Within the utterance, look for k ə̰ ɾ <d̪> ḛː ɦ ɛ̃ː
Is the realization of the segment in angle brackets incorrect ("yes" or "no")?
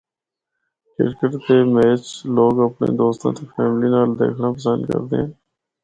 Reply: no